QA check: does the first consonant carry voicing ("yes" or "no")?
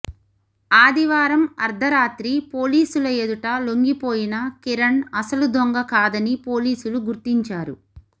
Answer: yes